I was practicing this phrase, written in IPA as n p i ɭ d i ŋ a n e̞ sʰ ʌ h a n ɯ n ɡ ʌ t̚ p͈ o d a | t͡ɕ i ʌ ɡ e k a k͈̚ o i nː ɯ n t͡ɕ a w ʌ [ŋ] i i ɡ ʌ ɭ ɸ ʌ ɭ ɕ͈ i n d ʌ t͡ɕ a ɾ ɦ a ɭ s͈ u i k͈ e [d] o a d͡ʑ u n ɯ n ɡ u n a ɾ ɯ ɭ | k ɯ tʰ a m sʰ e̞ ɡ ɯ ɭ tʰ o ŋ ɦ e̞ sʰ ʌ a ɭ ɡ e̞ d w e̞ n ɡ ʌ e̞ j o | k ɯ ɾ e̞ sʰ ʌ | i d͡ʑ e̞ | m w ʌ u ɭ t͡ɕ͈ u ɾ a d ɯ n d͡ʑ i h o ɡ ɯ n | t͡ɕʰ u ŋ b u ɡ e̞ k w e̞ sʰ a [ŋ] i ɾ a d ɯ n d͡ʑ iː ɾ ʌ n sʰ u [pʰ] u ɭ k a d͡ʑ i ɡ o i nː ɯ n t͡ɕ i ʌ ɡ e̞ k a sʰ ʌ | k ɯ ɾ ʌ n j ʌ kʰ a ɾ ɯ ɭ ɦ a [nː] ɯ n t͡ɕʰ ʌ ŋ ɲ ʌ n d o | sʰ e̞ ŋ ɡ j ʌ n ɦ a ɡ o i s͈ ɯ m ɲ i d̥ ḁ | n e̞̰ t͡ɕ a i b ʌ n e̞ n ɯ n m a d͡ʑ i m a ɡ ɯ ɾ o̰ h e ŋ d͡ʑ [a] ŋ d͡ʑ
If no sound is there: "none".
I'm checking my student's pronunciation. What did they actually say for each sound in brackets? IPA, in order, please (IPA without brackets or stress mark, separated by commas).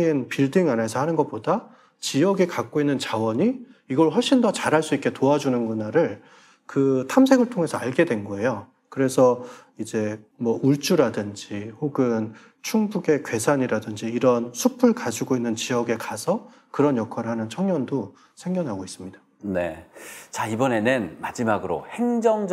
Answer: ɲ, t, ɲ, pʰ, n, ʌ